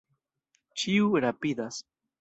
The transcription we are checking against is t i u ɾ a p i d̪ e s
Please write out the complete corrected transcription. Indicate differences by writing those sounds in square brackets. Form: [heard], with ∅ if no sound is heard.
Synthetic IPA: [t͡ʃ] i u ɾ a p i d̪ [a] s